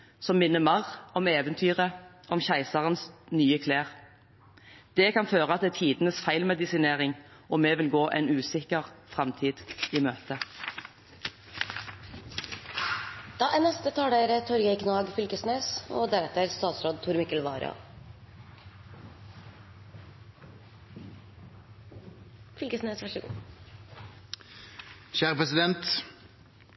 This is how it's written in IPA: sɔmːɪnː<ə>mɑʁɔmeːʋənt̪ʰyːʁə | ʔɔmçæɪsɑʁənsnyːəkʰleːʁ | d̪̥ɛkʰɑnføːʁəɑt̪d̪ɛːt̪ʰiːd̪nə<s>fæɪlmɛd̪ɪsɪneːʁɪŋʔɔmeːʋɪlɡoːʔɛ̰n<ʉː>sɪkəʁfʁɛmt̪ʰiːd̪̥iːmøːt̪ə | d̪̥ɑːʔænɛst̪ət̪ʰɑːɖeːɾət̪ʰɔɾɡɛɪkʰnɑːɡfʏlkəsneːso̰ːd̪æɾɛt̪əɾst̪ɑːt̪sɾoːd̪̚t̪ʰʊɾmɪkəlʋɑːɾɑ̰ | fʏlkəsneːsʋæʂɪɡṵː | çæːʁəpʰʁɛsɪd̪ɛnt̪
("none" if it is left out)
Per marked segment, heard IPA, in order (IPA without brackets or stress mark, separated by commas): ə, s, ʉː